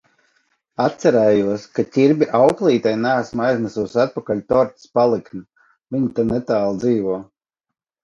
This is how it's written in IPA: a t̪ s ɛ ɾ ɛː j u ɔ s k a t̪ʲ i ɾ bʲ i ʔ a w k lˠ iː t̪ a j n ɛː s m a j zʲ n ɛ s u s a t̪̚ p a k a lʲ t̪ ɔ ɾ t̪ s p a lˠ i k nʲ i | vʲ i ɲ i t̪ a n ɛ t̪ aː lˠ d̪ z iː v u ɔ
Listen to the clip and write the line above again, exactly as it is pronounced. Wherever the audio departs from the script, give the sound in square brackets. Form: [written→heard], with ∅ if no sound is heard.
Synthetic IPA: a t̪ s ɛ ɾ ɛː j u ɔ s k a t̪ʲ i ɾ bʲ i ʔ a w k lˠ iː t̪ a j n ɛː s m a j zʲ n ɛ s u s a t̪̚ p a k a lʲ t̪ ɔ ɾ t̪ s p a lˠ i k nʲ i | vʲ i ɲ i t̪ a n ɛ t̪ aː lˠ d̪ z iː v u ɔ